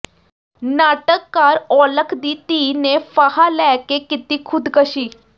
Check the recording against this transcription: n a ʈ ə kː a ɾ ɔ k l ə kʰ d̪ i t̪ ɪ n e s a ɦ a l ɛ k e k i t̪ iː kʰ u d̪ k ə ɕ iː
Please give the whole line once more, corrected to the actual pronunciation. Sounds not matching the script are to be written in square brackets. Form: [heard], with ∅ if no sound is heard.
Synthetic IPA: n a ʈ ə kː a ɾ ɔ [∅] l ə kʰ d̪ i t̪ [i] n e [f] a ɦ a l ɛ k e k i t̪ iː kʰ u d̪ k ə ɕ iː